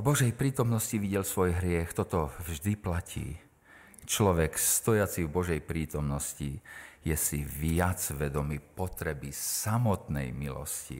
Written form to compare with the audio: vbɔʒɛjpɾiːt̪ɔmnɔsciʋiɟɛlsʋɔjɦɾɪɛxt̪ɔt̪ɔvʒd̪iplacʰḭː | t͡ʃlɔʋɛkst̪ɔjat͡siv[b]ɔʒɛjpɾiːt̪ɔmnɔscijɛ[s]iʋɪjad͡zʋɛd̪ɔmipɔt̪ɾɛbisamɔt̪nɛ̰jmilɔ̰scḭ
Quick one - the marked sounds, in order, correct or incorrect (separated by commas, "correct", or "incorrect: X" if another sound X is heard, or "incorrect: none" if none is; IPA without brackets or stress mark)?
correct, correct